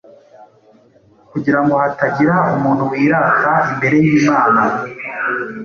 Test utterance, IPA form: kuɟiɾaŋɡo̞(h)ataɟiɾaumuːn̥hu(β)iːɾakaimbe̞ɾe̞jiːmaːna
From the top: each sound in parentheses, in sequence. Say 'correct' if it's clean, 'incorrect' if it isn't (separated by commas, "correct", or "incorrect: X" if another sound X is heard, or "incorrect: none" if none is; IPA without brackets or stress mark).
correct, incorrect: w